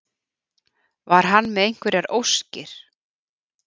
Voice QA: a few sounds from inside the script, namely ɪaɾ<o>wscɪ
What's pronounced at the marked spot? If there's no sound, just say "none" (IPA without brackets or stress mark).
o